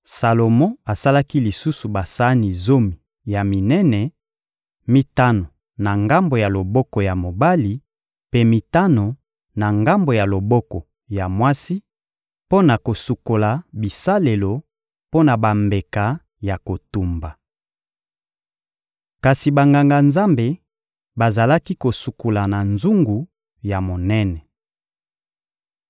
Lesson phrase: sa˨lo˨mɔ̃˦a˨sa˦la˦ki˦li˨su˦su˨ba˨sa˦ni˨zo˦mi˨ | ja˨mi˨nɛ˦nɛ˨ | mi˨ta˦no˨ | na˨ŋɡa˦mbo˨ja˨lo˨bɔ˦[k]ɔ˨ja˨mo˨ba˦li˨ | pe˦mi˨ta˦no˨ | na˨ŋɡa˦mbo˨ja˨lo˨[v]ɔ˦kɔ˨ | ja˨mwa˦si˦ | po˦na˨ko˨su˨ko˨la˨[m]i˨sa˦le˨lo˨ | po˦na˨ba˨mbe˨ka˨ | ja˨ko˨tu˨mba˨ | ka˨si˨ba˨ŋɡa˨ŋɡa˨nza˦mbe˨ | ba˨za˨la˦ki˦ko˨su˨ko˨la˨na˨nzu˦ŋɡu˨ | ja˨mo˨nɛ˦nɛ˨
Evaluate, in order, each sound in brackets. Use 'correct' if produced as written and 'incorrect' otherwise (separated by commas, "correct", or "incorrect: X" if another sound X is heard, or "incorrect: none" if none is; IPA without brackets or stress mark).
correct, incorrect: b, incorrect: b